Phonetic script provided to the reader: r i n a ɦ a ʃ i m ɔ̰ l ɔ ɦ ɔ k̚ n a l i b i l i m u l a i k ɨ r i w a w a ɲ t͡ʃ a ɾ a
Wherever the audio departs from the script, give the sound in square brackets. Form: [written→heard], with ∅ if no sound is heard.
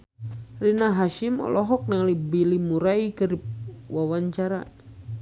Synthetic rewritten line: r i n a ɦ a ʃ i m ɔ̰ l ɔ ɦ ɔ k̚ n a l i b i l i m u [l→ɾ] a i k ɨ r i w a w a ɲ t͡ʃ a ɾ a

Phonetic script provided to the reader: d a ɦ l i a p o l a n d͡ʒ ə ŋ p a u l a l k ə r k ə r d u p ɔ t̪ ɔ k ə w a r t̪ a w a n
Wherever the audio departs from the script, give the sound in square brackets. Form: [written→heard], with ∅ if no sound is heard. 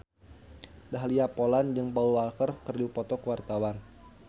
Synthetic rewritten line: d a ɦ l i a p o l a n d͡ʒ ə ŋ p a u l a l k ə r k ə r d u p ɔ t̪ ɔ k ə w a r t̪ a w a n

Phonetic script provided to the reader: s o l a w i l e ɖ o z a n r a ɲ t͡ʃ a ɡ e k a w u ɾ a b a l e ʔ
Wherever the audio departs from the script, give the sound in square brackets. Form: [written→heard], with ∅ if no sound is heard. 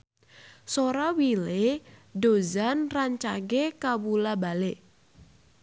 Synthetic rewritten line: s o [l→ɾ] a w i l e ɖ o z a n r a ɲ t͡ʃ a ɡ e k a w u [ɾ→l] a b a l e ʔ

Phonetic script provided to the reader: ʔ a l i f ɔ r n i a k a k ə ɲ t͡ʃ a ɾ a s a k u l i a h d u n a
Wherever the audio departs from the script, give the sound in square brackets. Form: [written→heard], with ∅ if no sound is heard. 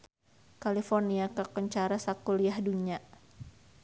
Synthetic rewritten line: [ʔ→k] a l i f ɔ r n i a k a k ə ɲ t͡ʃ a ɾ a s a k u l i a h d u [n→ɲ] a

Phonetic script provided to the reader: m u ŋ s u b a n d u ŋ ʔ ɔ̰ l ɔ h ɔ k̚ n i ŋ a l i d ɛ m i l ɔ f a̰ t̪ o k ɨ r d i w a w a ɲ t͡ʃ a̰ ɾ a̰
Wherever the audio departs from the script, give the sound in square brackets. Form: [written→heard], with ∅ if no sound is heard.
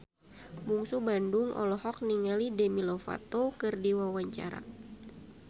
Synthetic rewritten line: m u ŋ s u b a n d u ŋ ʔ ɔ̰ l ɔ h ɔ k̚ n i ŋ a l i d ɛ m i l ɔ f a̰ t̪ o k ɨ r d i w a w a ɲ t͡ʃ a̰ ɾ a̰

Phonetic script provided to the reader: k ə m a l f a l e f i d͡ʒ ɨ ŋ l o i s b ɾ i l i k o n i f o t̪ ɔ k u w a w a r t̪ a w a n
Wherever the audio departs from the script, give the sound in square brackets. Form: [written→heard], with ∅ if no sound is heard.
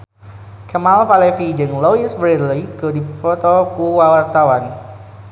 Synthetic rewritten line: k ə m a l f a l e f i d͡ʒ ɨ ŋ l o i s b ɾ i l i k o [n→d] i f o t̪ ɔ k u w a w a r t̪ a w a n

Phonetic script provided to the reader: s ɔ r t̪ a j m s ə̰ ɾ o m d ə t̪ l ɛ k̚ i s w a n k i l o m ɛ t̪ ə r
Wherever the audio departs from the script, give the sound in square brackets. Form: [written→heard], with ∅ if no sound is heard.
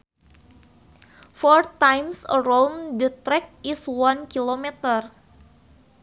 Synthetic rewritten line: [s→f] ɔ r t̪ a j m s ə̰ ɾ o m d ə t̪ [l→ɾ] ɛ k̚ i s w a n k i l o m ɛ t̪ ə r

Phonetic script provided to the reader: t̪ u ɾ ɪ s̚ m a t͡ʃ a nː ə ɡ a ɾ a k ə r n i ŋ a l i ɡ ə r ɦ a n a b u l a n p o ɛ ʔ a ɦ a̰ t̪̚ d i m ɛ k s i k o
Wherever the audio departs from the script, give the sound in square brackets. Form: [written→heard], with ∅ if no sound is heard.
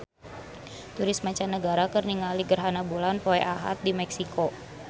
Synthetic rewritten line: t̪ u ɾ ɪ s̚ m a t͡ʃ a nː ə ɡ a ɾ a k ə r n i ŋ a l i ɡ ə r ɦ a n a b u l a n p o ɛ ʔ a ɦ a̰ t̪̚ d i m ɛ k s i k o

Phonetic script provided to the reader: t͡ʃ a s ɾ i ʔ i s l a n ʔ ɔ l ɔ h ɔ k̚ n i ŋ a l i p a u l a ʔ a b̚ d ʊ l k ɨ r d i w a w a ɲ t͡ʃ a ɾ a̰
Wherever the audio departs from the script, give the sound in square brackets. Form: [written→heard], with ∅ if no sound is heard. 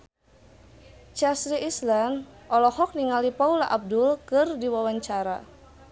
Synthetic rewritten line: t͡ʃ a s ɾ i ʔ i s l a n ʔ ɔ l ɔ h ɔ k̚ n i ŋ a l i p a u l a ʔ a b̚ d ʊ l k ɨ r d i w a w a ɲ t͡ʃ a ɾ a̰

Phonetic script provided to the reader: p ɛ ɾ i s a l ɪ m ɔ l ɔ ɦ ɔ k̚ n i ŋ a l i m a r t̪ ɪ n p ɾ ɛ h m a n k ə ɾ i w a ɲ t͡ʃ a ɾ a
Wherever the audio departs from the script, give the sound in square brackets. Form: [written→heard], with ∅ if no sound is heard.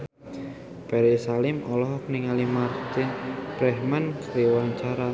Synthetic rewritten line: p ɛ ɾ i s a l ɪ m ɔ l ɔ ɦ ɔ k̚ n i ŋ a l i m a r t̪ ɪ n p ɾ ɛ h m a n k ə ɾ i w a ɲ t͡ʃ a ɾ a

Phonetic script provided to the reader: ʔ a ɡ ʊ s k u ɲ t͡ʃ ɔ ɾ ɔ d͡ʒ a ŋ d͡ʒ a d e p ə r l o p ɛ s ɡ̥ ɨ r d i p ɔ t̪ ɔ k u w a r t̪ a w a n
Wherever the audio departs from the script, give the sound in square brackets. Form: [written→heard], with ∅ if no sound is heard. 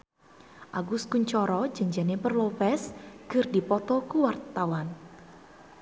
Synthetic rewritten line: ʔ a ɡ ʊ s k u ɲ t͡ʃ ɔ ɾ ɔ d͡ʒ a [ŋ→ɲ] d͡ʒ a [d→n] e p ə r l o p ɛ s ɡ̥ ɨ r d i p ɔ t̪ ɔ k u w a r t̪ a w a n

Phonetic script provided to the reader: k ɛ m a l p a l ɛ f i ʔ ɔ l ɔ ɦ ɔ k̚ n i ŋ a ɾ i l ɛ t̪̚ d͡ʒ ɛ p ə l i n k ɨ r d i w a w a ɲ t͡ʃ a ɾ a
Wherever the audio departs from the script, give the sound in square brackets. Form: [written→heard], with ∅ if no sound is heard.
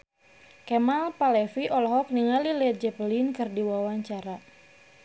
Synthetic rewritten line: k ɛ m a l p a l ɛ f i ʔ ɔ l ɔ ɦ ɔ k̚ n i ŋ a [ɾ→l] i l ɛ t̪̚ d͡ʒ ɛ p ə l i n k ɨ r d i w a w a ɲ t͡ʃ a ɾ a

